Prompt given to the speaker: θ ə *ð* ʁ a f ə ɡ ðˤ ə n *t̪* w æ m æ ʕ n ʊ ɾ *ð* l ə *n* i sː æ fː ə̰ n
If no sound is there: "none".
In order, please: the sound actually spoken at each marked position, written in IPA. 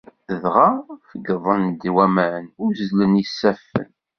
ð, d̪, z, n

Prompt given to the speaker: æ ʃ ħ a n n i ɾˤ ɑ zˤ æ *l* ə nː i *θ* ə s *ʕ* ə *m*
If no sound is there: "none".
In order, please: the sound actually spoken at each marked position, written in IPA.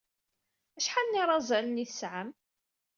l, θ, ʕ, m

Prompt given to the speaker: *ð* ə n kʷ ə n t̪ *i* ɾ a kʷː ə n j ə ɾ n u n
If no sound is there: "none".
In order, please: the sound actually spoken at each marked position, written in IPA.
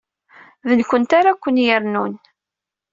ð, a

